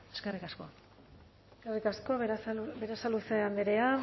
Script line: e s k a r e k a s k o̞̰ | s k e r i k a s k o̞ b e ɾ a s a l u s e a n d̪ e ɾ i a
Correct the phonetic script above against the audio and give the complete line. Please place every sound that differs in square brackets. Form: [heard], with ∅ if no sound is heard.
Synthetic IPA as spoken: e s k [e] r [i] k a s k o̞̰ | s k e r i k a s k o̞ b e ɾ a s a l u s e a n d̪ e ɾ [e] a

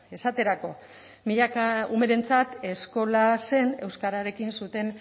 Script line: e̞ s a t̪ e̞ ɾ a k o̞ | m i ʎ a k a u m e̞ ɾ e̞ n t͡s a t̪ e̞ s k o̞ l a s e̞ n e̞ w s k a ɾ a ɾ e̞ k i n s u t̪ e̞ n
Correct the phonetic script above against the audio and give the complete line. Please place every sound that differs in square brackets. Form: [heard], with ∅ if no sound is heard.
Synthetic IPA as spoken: e̞ s a t̪ e̞ ɾ a k o̞ | m i ʎ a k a u m e̞ ɾ e̞ n t͡s a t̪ e̞ s k o̞ l a s e̞ n e̞ w s k a ɾ a ɾ e̞ k i n s u t̪ e̞ n

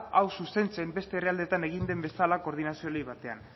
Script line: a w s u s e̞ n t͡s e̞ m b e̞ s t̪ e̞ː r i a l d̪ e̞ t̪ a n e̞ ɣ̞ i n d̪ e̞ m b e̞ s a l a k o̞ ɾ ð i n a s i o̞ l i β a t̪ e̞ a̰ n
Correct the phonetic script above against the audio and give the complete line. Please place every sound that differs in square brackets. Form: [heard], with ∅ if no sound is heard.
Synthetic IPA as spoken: a w s u s e̞ n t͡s e̞ m b e̞ s t̪ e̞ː r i a l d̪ e̞ t̪ a n e̞ ɣ̞ i n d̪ e̞ m b e̞ s a l a k o̞ ɾ ð i n a s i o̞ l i β a t̪ e̞ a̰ n

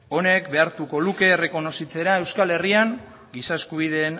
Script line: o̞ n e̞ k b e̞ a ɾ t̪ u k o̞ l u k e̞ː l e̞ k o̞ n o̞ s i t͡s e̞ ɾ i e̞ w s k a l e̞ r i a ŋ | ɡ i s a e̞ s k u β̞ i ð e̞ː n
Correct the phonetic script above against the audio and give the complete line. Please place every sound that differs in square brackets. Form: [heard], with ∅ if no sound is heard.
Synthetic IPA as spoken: o̞ n e̞ k b e̞ a ɾ t̪ u k o̞ l u k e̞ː [r] e̞ k o̞ n o̞ s i t͡s e̞ ɾ [a] e̞ w s k a l e̞ r i a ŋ | ɡ i s a e̞ s k u β̞ i ð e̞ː n

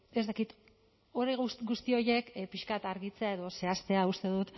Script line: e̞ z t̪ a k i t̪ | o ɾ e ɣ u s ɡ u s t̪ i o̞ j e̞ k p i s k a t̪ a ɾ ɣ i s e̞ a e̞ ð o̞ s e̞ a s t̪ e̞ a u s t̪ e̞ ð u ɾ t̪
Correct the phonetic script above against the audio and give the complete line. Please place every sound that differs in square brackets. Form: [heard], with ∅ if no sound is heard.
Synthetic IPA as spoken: e̞ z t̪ a k i t̪ | o ɾ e ɣ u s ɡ u s t̪ i o̞ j e̞ k p i [ʃ] k a t̪ a ɾ ɣ i [t͡s] e̞ a e̞ ð o̞ s e̞ a s t̪ e̞ a u s t̪ e̞ ð u [∅] t̪

